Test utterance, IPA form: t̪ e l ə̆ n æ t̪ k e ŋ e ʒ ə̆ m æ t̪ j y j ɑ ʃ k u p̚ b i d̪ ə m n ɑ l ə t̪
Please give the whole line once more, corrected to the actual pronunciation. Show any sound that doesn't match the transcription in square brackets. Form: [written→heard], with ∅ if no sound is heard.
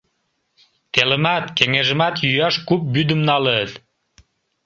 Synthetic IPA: t̪ e l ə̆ [n→m] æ t̪ k e ŋ e ʒ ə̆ m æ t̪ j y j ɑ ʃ k u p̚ b [i→y] d̪ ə m n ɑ l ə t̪